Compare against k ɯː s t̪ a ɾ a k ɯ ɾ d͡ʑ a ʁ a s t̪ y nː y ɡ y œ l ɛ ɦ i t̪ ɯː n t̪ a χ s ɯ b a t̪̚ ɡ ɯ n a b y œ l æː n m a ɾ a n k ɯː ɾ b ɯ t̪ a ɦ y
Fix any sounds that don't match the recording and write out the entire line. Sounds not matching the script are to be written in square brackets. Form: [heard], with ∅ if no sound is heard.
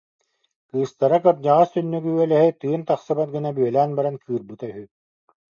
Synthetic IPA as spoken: k ɯː s t̪ a ɾ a k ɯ ɾ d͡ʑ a ʁ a s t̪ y nː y ɡ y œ l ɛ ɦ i t̪ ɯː n t̪ a χ s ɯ b a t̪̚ ɡ ɯ n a b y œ l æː n [b] a ɾ a n k ɯː ɾ b ɯ t̪ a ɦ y

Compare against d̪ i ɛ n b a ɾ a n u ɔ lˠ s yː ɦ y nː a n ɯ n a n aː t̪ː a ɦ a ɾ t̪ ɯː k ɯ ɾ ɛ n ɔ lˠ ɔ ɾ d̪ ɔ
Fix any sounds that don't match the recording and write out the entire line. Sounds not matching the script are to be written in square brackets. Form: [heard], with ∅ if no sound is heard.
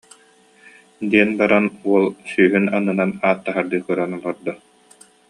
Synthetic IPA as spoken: d̪ i ɛ n b a ɾ a n u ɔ lˠ s yː ɦ y [n] a n ɯ n a n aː t̪ː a ɦ a ɾ [d̪] ɯː k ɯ ɾ [a] n ɔ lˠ ɔ ɾ d̪ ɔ

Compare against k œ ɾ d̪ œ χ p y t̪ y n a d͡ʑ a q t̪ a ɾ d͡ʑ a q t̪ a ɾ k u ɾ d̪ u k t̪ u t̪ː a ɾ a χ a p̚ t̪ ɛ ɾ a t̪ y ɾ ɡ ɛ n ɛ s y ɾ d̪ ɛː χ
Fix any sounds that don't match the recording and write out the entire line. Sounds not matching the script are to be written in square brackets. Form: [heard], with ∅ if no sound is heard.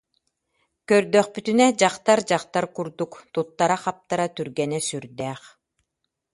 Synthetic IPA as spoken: k œ ɾ d̪ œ χ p y t̪ y n [ɛ] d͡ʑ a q t̪ a ɾ d͡ʑ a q t̪ a ɾ k u ɾ d̪ u k t̪ u t̪ː a ɾ a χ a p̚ t̪ [a] ɾ a t̪ y ɾ ɡ ɛ n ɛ s y ɾ d̪ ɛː χ

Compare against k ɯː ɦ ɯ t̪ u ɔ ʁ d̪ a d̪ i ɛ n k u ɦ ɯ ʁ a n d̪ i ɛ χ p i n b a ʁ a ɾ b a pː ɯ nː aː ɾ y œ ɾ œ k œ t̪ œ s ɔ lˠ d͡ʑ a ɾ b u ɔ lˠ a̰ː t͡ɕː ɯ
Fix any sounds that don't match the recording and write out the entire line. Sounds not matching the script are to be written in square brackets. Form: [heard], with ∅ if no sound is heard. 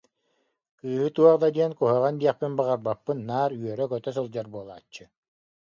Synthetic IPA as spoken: k ɯː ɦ ɯ t̪ u ɔ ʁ d̪ a d̪ i ɛ n k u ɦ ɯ ʁ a n d̪ i ɛ χ p i n b a ʁ a ɾ b a pː ɯ nː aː ɾ y œ ɾ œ k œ t̪ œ s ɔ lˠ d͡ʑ a ɾ b u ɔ lˠ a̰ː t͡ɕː ɯ

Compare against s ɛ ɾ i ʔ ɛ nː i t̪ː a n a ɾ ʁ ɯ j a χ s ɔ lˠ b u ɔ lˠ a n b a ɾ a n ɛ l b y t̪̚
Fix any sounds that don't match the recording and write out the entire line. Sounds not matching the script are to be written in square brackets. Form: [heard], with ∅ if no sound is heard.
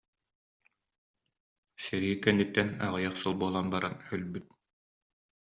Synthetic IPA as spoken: s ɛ ɾ i [k] ɛ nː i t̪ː [ɛ] n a [∅] ʁ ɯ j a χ s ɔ lˠ b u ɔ lˠ a n b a ɾ a n [œ] l b y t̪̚

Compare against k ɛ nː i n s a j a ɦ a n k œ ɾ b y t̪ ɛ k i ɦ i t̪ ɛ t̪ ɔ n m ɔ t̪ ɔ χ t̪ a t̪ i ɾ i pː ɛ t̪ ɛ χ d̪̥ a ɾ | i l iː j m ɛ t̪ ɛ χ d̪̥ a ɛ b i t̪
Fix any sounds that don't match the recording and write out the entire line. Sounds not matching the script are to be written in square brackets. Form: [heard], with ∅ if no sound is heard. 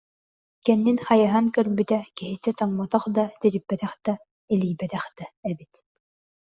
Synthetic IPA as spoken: k ɛ nː i n [χ] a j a ɦ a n k œ ɾ b y t̪ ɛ k i ɦ i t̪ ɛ t̪ ɔ [ŋ] m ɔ t̪ ɔ χ [d̪] a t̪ i ɾ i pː ɛ t̪ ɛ χ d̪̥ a [∅] | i l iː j [b] ɛ t̪ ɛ χ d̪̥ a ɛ b i t̪

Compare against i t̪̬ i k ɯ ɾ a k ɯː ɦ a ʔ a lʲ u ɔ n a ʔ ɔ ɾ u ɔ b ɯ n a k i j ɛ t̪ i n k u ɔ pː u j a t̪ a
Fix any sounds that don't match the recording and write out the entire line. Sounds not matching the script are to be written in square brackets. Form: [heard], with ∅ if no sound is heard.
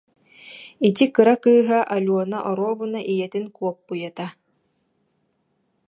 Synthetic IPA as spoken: i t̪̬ i k ɯ ɾ a k ɯː ɦ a ʔ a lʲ u ɔ n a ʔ ɔ ɾ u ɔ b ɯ n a [ʔ] i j ɛ t̪ i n k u ɔ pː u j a t̪ a

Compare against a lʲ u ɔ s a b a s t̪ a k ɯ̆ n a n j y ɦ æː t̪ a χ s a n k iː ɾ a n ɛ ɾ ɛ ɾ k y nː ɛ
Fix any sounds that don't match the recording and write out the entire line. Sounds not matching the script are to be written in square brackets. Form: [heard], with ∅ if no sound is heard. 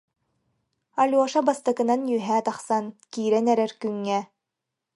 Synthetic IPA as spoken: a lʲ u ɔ [ʃ] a b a s t̪ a k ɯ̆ n a n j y ɦ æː t̪ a χ s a n k iː ɾ [ɛ] n ɛ ɾ ɛ ɾ k y [ŋː] ɛ

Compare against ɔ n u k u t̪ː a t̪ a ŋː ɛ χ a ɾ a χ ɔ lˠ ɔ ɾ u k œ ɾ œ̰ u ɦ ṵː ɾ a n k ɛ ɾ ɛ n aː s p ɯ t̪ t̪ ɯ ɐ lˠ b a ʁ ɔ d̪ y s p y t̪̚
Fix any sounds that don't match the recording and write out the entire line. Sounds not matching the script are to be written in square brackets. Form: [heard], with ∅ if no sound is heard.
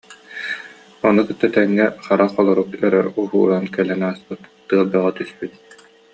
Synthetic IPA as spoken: ɔ n u k [ɯ] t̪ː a t̪ [ɛ] ŋː ɛ χ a ɾ a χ ɔ lˠ ɔ ɾ u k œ ɾ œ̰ u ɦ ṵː ɾ a n k ɛ [l] ɛ n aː s p ɯ t̪ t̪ ɯ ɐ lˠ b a ʁ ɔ [t̪] y s p y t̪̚

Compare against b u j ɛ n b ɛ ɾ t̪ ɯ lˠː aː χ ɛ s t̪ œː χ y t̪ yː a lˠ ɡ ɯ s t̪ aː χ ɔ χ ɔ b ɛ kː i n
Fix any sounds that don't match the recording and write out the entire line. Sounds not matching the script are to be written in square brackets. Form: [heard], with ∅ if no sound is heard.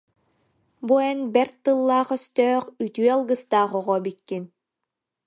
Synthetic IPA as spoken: b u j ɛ n b ɛ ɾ t̪ ɯ lˠː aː χ [œ] s t̪ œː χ y t̪ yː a lˠ ɡ ɯ s t̪ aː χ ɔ [ʁ] ɔ b [i] kː i n

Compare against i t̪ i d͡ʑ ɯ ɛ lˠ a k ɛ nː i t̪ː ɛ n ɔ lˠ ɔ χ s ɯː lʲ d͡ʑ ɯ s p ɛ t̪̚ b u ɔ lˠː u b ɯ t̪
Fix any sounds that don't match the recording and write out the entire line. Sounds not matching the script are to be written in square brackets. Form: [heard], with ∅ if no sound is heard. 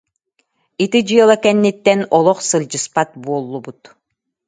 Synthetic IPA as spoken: i t̪ i d͡ʑ ɯ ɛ lˠ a k ɛ nː i t̪ː ɛ n ɔ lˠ ɔ χ s [ɯ] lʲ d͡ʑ ɯ s p [a] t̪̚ b u ɔ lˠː u b [u] t̪

